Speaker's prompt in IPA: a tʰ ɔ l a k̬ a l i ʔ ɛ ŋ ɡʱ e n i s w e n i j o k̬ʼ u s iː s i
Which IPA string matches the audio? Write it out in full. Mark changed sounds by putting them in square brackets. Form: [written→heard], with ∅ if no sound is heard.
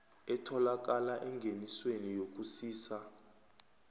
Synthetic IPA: [a→ɛ] tʰ ɔ l a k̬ a l [i→a] ʔ ɛ ŋ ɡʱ e n i s w e n i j o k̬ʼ u s iː s [i→a]